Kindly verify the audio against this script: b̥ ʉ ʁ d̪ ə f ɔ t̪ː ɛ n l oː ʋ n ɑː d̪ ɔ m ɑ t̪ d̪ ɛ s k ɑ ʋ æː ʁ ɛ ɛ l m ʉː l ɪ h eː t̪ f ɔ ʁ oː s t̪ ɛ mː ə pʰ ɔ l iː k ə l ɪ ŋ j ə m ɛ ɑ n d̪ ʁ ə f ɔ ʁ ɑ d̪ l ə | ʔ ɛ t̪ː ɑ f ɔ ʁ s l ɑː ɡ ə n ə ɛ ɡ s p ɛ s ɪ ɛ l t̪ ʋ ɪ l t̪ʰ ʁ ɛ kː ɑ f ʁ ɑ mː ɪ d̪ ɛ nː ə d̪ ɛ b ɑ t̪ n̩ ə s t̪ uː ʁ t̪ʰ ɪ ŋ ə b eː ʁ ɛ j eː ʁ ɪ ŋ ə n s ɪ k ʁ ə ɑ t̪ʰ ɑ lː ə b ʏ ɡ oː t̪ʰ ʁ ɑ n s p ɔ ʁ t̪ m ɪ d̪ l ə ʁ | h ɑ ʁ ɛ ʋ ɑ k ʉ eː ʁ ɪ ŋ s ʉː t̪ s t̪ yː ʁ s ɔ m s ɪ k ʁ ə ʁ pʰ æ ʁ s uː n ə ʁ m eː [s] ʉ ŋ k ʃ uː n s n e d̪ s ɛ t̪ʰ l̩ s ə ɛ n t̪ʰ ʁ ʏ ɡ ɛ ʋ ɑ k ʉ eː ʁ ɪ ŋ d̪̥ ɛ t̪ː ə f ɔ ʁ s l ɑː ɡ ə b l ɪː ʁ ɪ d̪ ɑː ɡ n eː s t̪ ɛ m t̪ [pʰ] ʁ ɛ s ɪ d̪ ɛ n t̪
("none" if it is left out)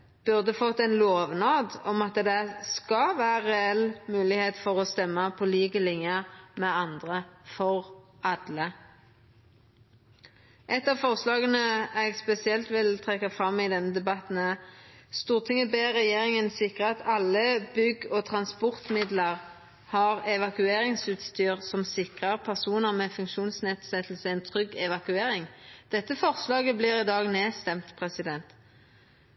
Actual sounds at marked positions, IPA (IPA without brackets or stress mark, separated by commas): f, pʰ